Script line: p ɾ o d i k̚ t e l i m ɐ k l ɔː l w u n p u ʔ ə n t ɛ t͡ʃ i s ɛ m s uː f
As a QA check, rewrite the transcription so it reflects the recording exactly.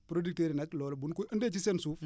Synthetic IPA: p ɾ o d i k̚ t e ɾ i n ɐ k l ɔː l b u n k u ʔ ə n d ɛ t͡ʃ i s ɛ n s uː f